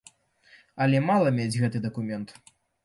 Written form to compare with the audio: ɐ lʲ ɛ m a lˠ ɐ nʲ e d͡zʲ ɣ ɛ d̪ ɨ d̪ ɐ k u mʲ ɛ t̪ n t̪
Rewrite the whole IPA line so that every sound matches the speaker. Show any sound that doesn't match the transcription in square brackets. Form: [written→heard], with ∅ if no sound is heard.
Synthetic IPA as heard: ɐ lʲ ɛ m a lˠ ɐ [nʲ→mʲ] e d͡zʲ ɣ ɛ [d̪→t̪] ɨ d̪ ɐ k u mʲ ɛ [t̪→∅] n t̪